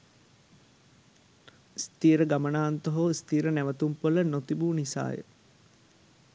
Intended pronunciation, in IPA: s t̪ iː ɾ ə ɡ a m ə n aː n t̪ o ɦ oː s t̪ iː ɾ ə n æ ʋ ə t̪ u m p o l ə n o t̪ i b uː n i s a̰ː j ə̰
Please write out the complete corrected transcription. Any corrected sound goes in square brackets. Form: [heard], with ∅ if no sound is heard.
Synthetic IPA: s t̪ iː ɾ ə ɡ a m ə n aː n t̪ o ɦ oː s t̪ iː ɾ ə n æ ʋ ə t̪ u m p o l ə n o t̪ i b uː n i s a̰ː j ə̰